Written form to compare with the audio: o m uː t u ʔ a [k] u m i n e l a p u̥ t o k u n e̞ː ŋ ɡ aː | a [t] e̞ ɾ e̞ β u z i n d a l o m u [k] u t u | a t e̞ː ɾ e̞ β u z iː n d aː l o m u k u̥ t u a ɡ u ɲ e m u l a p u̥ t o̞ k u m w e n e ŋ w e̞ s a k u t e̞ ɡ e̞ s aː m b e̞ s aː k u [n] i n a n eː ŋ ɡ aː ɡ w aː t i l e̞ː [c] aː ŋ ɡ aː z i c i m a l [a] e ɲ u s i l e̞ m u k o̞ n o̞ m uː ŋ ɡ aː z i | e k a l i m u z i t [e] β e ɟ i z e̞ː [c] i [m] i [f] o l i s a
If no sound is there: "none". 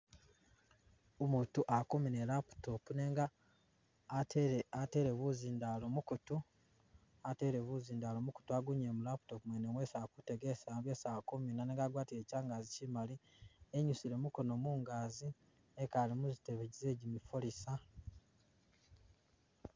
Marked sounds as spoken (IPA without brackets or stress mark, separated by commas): k, t, k, m, c, i, e, ɟ, m, f